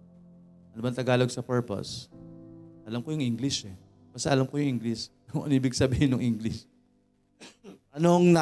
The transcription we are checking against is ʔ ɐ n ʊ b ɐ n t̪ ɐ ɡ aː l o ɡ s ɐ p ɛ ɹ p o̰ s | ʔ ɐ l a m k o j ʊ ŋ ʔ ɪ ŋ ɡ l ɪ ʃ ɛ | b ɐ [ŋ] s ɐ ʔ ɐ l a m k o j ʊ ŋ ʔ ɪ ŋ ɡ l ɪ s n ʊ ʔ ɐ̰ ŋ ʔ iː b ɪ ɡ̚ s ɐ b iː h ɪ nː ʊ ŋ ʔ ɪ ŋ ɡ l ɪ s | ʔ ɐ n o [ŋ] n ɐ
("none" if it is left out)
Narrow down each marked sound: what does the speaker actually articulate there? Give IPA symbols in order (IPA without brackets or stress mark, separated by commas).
none, ŋ